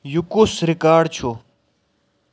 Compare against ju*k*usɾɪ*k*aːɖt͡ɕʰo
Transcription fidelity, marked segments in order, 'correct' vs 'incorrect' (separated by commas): correct, correct